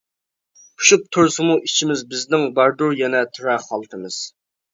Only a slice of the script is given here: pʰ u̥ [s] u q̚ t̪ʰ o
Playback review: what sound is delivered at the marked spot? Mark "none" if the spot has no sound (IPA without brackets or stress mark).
ʃ